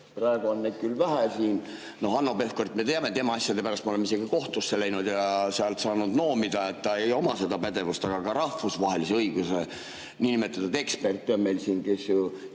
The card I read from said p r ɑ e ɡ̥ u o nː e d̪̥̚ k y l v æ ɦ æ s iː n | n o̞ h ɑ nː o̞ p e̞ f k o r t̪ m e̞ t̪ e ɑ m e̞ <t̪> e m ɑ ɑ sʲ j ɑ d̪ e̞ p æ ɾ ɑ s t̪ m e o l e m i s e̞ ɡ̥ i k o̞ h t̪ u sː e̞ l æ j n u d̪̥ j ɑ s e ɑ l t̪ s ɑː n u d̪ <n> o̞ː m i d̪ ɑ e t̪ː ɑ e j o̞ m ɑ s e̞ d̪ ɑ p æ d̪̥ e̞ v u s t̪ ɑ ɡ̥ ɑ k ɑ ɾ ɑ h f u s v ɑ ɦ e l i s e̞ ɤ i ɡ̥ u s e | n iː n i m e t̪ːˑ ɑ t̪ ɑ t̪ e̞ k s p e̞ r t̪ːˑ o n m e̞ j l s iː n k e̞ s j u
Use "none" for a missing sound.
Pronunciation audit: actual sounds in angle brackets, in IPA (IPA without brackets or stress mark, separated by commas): t̪, n